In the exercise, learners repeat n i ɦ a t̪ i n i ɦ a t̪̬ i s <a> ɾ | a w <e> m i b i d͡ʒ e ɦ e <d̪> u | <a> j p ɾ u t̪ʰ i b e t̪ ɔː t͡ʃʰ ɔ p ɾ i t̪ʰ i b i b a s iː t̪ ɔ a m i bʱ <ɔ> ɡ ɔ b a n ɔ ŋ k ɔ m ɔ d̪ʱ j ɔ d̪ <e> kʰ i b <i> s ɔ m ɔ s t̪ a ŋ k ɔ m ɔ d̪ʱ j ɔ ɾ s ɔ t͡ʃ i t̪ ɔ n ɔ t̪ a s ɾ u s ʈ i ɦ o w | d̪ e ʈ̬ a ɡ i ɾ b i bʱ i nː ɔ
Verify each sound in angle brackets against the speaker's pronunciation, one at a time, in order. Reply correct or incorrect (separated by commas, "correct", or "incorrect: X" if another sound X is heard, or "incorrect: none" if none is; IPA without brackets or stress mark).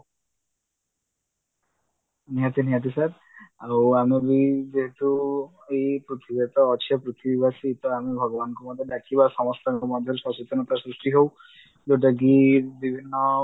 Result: correct, incorrect: a, incorrect: t̪, incorrect: e, correct, incorrect: a, incorrect: a